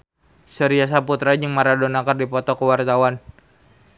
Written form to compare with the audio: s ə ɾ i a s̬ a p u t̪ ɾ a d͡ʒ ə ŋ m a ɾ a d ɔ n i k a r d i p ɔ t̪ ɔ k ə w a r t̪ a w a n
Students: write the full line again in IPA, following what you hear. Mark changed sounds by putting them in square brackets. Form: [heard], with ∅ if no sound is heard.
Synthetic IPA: s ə ɾ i a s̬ a p u t̪ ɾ a d͡ʒ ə ŋ m a ɾ a d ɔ n [a] k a r d i p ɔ t̪ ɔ k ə w a r t̪ a w a n